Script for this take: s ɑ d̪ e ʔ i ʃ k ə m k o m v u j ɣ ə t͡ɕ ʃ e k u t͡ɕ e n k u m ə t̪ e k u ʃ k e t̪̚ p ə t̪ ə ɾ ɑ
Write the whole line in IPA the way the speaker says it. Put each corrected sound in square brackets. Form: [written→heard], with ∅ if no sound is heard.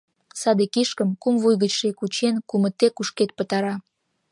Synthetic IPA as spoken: s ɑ d̪ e [ʔ→k] i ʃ k ə m k [o→u] m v u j ɣ ə t͡ɕ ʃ e k u t͡ɕ e n k u m ə t̪ e k u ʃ k e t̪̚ p ə t̪ [ə→ɑ] ɾ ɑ